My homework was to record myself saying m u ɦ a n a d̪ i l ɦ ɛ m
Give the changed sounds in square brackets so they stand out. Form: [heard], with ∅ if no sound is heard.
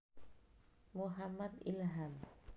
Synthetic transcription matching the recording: m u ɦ a [m] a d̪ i l ɦ [a] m